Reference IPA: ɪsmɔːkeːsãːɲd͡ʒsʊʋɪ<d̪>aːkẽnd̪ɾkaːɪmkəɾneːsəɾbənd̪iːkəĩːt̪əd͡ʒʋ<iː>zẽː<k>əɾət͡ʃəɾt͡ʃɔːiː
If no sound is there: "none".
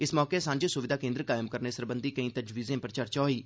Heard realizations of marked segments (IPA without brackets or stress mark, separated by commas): d̪, iː, p